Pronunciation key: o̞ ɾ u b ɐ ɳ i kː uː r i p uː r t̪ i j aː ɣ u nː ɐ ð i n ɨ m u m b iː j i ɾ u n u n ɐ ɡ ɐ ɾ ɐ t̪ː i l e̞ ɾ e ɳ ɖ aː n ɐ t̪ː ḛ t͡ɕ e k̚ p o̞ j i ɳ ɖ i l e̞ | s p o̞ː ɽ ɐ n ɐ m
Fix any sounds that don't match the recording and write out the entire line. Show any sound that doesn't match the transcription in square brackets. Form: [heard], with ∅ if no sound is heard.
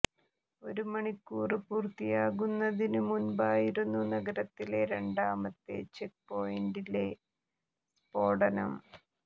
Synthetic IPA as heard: o̞ ɾ u [m] ɐ ɳ i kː uː r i p uː r t̪ i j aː ɣ u nː ɐ ð i n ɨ m u [n] b [aː] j i ɾ u [nː] u n ɐ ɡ ɐ ɾ ɐ t̪ː i l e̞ ɾ e ɳ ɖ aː [m] ɐ t̪ː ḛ t͡ɕ e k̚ p o̞ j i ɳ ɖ i l e̞ | s p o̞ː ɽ ɐ n ɐ m